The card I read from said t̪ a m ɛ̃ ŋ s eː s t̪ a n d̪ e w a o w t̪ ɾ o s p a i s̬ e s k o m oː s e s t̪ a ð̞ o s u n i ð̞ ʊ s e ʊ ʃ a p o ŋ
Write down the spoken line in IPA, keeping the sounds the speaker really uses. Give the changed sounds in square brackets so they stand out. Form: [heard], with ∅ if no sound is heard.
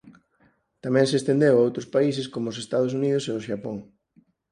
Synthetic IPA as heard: t̪ a m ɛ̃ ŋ s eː s t̪ [e] n d̪ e w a o w t̪ ɾ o s p a i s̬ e s k o m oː s e s t̪ a ð̞ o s u n i ð̞ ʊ s e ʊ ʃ a p o ŋ